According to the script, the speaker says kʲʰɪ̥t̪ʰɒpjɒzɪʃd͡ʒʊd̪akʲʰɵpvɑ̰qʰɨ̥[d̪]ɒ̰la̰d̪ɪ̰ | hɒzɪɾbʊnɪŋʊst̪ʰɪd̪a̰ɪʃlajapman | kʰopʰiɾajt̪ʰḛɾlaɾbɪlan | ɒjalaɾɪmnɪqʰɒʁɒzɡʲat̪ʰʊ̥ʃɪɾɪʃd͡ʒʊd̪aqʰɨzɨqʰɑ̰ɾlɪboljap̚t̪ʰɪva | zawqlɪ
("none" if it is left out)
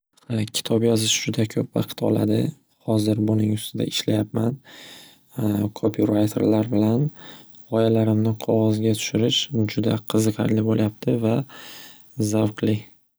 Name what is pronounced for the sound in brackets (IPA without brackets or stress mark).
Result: t̪